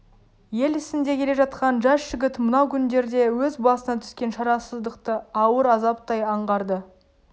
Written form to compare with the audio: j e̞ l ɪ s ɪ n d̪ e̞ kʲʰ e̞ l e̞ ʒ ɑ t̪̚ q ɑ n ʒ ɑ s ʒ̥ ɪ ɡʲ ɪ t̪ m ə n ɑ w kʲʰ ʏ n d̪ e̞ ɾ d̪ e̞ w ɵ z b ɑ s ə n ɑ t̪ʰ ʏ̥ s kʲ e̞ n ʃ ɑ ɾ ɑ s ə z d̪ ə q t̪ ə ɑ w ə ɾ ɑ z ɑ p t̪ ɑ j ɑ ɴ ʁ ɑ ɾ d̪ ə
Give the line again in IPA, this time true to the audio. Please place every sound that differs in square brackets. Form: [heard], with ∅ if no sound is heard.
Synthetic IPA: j e̞ l ɪ s ɪ n d̪ e̞ kʲʰ e̞ l e̞ ʒ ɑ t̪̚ q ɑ n ʒ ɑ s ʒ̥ ɪ ɡʲ ɪ t̪ m ə n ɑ w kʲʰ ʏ n d̪ e̞ ɾ d̪ e̞ w ɵ z b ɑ s ə n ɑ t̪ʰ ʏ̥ s kʲ e̞ n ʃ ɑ ɾ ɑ s ə z d̪ ə q t̪ ə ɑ w ə ɾ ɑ z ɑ p t̪ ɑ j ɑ ɴ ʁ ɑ ɾ d̪ ə